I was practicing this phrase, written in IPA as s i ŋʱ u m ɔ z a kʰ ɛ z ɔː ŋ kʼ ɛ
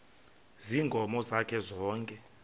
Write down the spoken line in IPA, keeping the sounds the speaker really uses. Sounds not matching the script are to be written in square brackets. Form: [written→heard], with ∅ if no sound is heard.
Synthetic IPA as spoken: [s→z] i ŋʱ [u→ɔ] m ɔ z a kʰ ɛ z ɔː ŋ kʼ ɛ